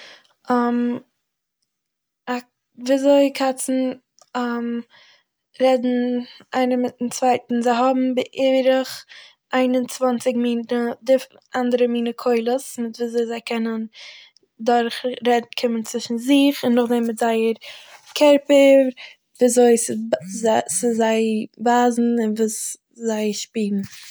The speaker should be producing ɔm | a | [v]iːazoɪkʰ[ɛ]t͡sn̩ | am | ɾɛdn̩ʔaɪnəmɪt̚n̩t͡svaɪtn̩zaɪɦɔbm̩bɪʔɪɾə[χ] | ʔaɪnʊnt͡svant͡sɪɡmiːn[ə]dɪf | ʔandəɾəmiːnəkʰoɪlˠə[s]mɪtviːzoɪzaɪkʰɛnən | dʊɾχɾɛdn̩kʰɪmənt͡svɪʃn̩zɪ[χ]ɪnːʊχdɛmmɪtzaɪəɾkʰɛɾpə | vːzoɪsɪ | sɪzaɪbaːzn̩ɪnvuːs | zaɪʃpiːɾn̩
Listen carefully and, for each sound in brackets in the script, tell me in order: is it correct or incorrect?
correct, incorrect: a, correct, correct, correct, correct

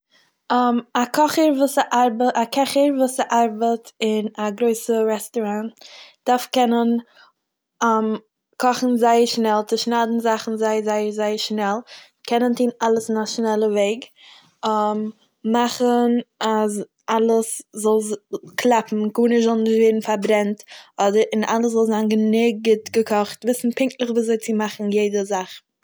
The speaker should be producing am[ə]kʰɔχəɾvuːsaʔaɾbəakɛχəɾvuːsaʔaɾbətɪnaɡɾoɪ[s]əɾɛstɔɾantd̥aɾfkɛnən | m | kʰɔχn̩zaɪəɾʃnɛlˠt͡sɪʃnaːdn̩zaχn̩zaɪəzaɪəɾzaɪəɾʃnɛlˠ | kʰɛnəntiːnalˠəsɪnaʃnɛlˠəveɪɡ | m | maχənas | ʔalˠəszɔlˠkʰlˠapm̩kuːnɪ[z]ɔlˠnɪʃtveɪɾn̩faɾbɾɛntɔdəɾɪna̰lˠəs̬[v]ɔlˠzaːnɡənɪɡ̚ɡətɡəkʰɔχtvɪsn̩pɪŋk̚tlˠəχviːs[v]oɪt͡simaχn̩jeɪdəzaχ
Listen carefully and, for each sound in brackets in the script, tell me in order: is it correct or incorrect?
incorrect: a, correct, correct, incorrect: z, incorrect: z

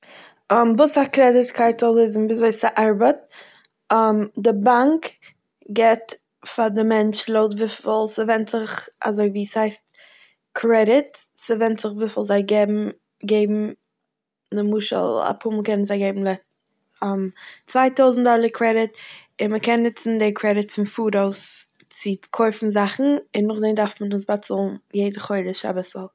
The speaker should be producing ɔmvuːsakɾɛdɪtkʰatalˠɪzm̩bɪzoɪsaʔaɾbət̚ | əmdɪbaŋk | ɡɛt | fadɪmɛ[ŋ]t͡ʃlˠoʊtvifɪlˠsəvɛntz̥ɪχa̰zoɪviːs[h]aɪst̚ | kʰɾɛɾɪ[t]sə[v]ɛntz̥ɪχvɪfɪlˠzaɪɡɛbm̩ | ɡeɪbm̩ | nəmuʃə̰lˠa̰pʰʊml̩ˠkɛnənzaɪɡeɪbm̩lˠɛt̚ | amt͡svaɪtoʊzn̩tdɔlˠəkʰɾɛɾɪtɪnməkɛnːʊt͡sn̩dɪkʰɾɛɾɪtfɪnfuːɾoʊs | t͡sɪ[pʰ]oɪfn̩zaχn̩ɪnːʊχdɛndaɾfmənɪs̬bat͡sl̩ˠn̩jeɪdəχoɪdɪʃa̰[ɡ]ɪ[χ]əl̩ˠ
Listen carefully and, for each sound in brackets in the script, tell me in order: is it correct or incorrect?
incorrect: n, correct, correct, correct, incorrect: kʰ, incorrect: b, incorrect: s

